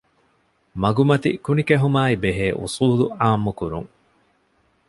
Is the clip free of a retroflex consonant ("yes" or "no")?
yes